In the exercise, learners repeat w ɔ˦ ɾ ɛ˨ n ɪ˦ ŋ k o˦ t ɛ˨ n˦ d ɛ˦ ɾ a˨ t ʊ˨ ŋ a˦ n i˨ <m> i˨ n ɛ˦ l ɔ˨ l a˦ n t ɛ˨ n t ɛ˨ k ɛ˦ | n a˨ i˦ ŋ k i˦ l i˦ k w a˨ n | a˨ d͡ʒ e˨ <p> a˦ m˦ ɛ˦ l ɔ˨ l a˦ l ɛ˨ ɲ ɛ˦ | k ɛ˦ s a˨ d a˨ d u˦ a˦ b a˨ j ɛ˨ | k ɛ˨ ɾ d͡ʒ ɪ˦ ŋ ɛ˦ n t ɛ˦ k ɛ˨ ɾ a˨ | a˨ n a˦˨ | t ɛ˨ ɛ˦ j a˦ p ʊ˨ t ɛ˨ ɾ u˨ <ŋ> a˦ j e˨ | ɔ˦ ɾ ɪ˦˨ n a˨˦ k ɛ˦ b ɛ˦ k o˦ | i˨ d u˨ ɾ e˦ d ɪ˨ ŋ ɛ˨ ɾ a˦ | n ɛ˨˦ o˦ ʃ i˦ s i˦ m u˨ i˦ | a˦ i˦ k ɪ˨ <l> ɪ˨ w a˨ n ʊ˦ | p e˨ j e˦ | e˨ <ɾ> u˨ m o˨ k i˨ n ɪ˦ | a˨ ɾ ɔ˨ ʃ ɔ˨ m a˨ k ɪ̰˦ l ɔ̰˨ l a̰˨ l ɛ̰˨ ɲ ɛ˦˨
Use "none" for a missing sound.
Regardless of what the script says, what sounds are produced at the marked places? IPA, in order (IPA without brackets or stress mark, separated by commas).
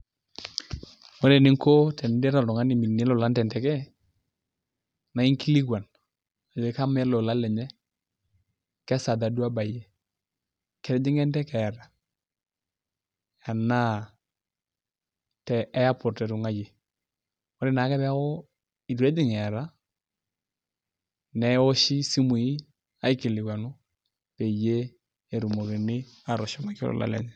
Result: m, k, ŋ, l, ɾ